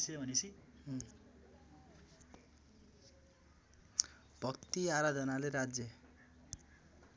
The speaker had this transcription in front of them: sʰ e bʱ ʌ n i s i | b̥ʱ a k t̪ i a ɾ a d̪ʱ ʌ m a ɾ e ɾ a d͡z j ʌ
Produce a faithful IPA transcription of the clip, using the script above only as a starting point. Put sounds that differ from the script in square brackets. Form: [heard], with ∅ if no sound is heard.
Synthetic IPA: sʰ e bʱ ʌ n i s i | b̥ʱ [ʌ] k t̪ i a ɾ a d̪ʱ ʌ [n] a [l] e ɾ a d͡z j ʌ